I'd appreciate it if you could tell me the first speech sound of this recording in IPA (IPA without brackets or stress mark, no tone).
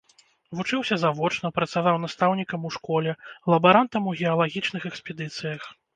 v